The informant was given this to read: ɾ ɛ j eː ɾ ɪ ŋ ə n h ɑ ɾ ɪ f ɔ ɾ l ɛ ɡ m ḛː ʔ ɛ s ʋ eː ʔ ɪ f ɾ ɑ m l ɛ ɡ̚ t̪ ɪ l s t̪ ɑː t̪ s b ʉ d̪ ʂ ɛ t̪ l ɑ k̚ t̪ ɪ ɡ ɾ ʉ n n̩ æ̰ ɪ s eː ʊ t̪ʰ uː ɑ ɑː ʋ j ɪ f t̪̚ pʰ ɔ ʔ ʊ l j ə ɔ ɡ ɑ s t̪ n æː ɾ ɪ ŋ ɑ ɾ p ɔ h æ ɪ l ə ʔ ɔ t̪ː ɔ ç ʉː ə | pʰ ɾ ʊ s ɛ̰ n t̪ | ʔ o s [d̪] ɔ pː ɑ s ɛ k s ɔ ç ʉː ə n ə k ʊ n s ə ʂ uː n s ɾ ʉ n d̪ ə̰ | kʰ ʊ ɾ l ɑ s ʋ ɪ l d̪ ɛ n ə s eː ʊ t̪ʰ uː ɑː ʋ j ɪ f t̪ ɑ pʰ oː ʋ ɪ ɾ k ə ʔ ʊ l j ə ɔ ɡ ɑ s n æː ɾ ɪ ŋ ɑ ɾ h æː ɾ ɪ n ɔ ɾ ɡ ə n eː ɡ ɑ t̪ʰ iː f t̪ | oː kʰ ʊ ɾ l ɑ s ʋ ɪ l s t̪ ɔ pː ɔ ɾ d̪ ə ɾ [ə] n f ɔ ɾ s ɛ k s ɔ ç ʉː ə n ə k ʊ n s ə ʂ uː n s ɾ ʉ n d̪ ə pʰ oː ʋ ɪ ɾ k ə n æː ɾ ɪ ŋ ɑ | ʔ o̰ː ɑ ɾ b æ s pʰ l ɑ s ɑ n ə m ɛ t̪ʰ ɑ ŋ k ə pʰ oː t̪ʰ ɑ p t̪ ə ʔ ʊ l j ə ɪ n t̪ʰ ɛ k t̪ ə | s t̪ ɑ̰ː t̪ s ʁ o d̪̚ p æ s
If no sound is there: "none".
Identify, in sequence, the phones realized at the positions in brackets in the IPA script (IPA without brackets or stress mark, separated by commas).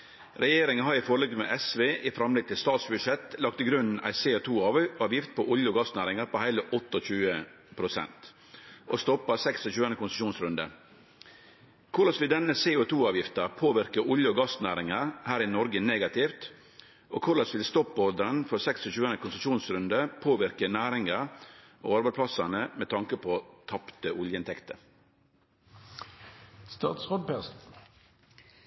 t̪, ə